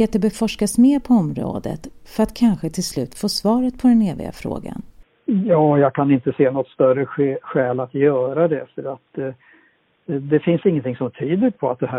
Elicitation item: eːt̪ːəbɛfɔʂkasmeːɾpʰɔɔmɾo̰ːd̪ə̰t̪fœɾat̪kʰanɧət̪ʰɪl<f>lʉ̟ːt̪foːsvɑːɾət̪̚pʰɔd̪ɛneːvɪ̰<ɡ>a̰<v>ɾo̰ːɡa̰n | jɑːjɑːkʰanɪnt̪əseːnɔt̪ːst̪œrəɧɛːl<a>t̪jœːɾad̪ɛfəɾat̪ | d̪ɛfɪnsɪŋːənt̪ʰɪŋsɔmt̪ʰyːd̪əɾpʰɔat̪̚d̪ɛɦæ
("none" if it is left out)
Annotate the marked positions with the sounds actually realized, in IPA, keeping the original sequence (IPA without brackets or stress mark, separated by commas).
s, ɡ, f, a